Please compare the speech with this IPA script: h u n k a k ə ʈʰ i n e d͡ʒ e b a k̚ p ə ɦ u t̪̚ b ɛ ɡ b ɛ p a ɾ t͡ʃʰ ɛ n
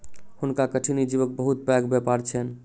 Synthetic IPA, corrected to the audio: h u n k a k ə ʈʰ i n i d͡ʒ i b ə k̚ b ə ɦ u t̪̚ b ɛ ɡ b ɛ p a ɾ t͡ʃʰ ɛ n